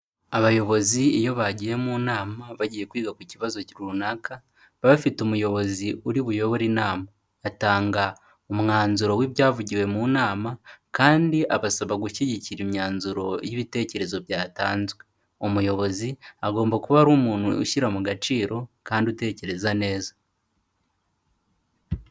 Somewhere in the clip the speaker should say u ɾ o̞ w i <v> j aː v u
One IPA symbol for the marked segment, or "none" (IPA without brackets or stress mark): β